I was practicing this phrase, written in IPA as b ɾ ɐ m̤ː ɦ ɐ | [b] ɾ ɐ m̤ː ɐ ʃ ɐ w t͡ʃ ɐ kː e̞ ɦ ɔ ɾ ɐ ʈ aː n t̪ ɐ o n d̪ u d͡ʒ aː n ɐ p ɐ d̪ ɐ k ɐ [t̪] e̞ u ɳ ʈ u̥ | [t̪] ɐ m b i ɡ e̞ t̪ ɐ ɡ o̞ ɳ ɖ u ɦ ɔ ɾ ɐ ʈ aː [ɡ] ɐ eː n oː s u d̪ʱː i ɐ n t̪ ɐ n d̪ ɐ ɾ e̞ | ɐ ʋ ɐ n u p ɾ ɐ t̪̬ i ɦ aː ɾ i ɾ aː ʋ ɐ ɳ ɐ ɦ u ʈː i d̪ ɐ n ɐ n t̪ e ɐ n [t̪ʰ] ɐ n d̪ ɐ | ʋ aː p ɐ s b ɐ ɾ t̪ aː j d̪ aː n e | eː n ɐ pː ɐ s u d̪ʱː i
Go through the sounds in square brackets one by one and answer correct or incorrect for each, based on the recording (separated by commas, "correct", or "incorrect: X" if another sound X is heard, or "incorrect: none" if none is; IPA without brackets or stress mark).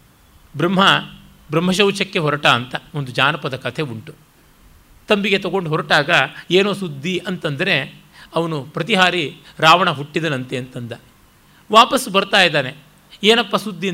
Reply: correct, incorrect: t̪ʰ, correct, correct, incorrect: t̪